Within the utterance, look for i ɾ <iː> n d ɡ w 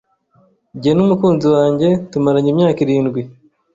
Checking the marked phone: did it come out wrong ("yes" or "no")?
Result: no